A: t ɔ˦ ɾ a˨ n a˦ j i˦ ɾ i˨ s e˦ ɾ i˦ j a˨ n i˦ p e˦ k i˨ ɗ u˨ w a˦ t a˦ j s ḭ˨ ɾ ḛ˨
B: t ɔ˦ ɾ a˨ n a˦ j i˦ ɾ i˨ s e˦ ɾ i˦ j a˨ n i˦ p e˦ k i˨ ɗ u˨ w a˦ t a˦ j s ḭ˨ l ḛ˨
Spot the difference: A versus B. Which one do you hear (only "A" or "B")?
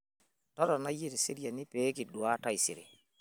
A